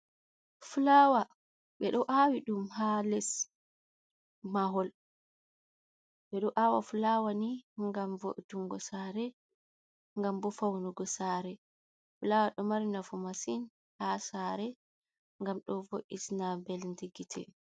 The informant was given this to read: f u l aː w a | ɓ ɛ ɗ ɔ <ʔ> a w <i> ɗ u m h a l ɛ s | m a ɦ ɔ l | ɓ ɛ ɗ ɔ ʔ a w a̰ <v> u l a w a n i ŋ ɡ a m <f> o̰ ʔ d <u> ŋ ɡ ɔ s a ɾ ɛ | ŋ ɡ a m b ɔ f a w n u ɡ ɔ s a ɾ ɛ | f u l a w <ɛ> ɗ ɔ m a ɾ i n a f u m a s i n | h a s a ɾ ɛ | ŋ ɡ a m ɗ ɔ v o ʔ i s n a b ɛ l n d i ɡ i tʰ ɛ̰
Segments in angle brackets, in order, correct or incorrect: correct, correct, incorrect: f, incorrect: v, correct, incorrect: a

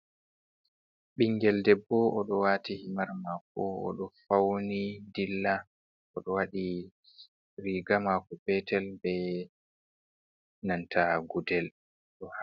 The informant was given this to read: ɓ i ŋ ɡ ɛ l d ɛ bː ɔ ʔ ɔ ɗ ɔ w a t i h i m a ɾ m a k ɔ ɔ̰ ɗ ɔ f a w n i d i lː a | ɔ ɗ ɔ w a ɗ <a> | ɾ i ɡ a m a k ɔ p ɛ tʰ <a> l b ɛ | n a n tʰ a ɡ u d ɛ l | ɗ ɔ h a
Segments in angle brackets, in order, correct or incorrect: incorrect: i, incorrect: ɛ

